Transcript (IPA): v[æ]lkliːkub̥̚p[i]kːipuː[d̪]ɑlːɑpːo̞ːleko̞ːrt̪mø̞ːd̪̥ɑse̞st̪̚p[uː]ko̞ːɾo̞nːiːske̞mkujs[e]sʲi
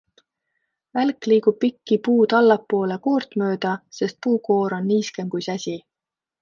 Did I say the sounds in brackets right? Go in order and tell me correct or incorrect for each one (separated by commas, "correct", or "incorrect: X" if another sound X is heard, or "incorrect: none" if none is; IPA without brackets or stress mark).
correct, correct, incorrect: t̪, correct, incorrect: æ